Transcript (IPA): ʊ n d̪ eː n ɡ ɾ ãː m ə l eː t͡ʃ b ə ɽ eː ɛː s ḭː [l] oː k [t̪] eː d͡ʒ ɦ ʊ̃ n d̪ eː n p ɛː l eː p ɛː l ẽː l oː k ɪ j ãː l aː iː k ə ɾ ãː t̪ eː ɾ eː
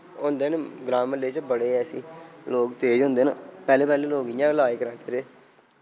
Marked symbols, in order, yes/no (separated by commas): yes, yes